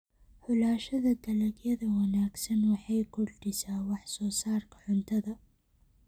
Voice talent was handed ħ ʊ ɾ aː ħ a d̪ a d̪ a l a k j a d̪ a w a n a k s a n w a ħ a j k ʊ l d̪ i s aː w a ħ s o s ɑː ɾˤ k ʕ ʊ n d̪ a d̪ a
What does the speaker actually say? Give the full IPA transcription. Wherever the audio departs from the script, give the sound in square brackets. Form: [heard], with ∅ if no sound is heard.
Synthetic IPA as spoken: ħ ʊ [l] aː [ʃ] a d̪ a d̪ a l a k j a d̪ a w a n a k s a n w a ħ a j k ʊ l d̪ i s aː w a ħ s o s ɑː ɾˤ k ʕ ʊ n [t̪] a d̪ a